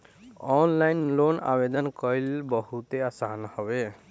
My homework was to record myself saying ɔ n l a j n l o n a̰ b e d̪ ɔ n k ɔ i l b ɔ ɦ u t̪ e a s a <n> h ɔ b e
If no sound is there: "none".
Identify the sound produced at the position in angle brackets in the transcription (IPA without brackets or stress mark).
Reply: n